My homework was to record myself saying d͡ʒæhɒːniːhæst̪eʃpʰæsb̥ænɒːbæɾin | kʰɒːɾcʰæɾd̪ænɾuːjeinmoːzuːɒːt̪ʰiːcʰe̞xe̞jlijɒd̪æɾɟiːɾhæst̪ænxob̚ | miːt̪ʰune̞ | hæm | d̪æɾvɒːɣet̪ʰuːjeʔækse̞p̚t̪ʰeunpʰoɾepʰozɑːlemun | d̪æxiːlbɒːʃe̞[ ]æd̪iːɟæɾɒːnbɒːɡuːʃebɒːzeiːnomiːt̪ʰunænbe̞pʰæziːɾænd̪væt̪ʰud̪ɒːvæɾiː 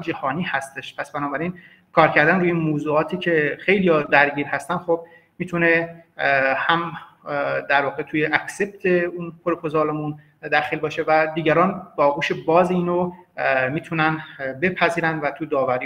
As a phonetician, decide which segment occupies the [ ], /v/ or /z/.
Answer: v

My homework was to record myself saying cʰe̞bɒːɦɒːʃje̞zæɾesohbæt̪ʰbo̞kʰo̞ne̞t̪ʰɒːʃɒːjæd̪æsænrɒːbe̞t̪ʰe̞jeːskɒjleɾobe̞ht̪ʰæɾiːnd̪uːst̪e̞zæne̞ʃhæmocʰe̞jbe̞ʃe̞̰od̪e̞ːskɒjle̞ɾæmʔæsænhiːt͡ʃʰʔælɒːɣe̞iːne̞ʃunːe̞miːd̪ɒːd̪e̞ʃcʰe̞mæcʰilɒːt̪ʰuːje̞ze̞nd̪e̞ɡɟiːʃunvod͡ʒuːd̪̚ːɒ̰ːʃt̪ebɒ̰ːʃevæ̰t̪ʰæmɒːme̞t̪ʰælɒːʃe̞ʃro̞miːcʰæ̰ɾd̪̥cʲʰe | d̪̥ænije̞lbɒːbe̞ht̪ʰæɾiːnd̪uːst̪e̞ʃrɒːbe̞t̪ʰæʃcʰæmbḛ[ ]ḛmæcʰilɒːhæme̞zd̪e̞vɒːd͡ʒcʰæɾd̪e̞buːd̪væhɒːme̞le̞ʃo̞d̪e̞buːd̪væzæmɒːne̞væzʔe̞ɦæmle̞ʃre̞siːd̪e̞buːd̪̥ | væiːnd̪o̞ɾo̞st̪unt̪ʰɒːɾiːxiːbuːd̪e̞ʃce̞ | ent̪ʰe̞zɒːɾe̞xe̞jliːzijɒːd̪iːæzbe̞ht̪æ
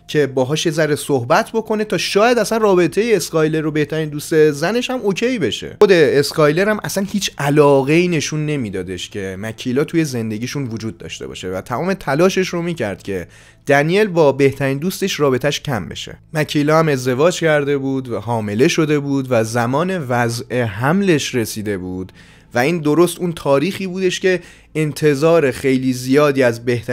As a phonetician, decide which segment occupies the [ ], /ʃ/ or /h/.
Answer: ʃ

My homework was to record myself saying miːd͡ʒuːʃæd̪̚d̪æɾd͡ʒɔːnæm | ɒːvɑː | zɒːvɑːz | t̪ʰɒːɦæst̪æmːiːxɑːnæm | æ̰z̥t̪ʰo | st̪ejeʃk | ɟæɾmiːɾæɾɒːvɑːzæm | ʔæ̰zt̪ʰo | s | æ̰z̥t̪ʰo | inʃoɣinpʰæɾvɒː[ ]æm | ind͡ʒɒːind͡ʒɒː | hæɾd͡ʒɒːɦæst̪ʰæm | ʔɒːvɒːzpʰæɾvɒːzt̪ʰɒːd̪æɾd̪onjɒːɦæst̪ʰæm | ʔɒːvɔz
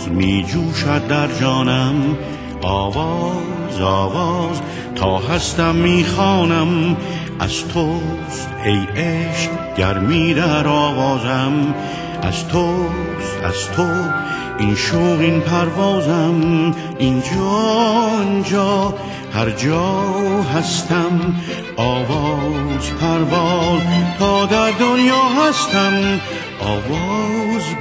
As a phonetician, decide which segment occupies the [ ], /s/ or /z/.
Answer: z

